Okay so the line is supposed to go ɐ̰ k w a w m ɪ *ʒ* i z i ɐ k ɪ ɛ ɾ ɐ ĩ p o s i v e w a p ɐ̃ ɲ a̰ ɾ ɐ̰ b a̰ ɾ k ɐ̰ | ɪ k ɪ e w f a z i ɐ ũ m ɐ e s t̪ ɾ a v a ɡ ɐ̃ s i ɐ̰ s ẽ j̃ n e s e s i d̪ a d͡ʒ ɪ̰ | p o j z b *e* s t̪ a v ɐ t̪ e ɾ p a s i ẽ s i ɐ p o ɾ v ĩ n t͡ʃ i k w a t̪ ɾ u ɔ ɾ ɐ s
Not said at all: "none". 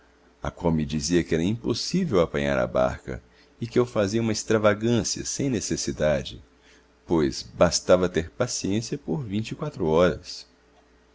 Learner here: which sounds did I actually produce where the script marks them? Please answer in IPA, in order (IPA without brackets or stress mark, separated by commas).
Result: d͡ʒ, a